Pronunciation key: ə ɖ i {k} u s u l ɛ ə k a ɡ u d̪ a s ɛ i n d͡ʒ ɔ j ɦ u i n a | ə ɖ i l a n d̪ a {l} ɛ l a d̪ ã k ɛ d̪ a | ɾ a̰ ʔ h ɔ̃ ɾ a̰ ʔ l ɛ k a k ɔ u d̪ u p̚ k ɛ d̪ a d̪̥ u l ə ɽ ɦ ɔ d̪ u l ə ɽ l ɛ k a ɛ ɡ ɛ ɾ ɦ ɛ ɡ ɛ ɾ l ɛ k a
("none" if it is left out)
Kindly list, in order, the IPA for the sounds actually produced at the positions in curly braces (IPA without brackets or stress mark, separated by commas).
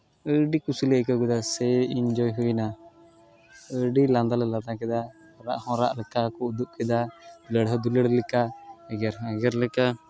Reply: k, l